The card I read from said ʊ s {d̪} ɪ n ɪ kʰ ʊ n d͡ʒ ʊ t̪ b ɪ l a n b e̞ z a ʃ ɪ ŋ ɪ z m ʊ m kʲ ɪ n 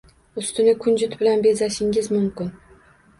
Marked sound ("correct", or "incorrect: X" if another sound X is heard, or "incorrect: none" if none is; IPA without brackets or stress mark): incorrect: t̪